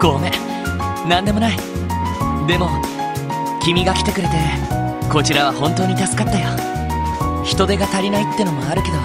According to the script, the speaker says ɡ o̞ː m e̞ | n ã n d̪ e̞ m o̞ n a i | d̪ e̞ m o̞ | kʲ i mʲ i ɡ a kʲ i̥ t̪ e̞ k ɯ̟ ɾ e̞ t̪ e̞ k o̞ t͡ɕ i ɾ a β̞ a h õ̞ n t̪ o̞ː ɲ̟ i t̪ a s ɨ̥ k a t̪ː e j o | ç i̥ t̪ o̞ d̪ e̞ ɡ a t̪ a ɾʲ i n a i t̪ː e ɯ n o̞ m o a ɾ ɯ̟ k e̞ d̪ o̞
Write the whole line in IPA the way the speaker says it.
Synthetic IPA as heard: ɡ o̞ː m e̞ | n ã n d̪ e̞ m o̞ n a i | d̪ e̞ m o̞ | kʲ i mʲ i ɡ a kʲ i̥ t̪ e̞ k ɯ̟ ɾ e̞ t̪ e̞ k o̞ t͡ɕ i ɾ a β̞ a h õ̞ n t̪ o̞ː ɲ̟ i t̪ a s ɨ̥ k a t̪ː a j o | ç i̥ t̪ o̞ d̪ e̞ ɡ a t̪ a ɾʲ i n a i t̪ː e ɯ n o̞ m o a ɾ ɯ̟ k e̞ d̪ o̞